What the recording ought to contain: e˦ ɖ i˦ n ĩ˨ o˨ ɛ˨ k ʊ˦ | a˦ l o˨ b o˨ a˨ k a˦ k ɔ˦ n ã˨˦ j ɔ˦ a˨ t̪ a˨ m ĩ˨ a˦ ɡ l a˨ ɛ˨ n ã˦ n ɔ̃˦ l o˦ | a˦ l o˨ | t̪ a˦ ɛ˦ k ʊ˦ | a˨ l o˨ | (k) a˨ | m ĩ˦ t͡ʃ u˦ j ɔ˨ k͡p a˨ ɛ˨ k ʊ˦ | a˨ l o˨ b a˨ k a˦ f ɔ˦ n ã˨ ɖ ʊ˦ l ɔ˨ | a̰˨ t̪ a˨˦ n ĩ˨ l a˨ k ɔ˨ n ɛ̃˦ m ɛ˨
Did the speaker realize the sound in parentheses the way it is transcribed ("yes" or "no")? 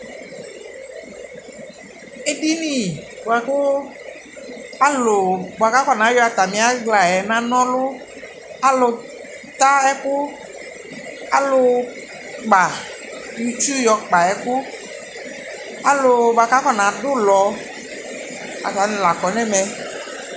no